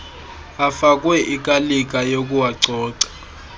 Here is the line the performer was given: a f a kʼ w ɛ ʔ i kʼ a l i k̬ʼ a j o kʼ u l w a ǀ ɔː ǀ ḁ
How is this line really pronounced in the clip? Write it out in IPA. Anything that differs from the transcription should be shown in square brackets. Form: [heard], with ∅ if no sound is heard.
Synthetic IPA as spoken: a f a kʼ w ɛ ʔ i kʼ a l i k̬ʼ a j o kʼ u [∅] w a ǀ ɔː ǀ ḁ